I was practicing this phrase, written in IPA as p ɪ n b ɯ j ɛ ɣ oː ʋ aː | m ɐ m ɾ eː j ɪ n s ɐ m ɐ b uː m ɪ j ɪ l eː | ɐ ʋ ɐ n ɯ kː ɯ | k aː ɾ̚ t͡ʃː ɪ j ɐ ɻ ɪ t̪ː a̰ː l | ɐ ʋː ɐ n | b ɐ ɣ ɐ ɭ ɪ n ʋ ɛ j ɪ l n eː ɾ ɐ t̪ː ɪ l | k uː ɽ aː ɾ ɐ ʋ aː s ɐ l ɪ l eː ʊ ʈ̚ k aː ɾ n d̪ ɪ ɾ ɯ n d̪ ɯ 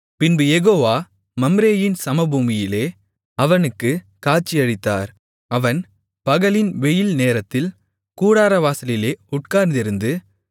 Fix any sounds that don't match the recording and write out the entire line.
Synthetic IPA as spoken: p ɪ n b ɯ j ɛ ɣ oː ʋ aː | m ɐ m ɾ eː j ɪ n s ɐ m ɐ b uː m ɪ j ɪ l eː | ɐ ʋ ɐ n ɯ kː ɯ | k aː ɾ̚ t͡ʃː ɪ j ɐ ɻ ɪ t̪ː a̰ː ɾ | ɐ ʋ ɐ n | p ɐ ɣ ɐ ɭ ɪ n ʋ ɛ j ɪ l n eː ɾ ɐ t̪ː ɪ l | k uː ɽ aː ɾ ɐ ʋ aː s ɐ l ɪ l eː ʊ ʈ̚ k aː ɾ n d̪ ɪ ɾ ɯ n d̪ ɯ